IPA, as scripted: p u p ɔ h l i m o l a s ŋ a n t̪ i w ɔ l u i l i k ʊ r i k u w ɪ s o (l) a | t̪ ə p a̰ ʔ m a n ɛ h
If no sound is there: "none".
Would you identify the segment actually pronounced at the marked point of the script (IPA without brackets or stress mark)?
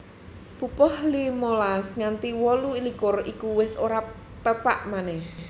ɾ